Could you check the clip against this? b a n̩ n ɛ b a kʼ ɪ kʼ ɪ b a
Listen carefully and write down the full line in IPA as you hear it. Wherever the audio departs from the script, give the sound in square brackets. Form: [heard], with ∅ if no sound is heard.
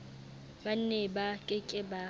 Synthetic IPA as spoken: b a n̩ n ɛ b a kʼ ɪ kʼ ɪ b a